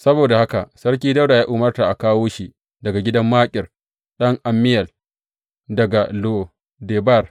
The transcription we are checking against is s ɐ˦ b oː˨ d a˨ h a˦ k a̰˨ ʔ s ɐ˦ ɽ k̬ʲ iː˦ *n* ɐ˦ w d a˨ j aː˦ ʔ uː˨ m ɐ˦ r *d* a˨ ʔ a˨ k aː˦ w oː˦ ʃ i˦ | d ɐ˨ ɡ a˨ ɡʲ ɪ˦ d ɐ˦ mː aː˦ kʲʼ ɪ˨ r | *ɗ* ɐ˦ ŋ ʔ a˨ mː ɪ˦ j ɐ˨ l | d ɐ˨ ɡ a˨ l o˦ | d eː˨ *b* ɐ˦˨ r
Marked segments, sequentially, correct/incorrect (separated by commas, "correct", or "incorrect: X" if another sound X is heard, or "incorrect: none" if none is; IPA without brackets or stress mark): incorrect: d, incorrect: t, correct, correct